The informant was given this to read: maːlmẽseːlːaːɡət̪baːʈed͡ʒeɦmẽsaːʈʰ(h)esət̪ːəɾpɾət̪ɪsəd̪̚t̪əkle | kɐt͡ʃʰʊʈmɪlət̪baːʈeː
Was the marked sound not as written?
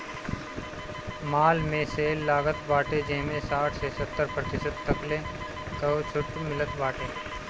yes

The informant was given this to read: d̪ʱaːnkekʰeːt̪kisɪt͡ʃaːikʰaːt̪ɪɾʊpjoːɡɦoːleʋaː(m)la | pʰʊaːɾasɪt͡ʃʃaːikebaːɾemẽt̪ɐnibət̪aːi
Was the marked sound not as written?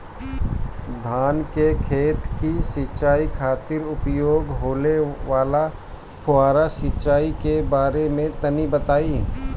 yes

